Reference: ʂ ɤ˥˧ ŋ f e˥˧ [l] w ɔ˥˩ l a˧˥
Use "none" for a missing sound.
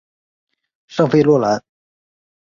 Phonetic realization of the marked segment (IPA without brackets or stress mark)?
l